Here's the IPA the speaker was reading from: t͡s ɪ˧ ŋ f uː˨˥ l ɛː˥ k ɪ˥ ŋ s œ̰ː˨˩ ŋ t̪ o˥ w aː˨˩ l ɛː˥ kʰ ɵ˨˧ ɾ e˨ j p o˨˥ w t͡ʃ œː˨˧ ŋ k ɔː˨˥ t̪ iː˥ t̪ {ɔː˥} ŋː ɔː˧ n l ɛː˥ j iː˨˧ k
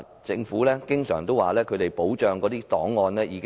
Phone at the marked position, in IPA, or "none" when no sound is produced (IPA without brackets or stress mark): ɔː˨˥